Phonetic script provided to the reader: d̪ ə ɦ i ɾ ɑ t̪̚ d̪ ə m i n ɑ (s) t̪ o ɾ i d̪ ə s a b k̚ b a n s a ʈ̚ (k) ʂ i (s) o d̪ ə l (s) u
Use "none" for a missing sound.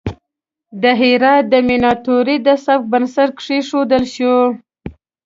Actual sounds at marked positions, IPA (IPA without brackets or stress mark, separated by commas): none, k, ʂ, ʃ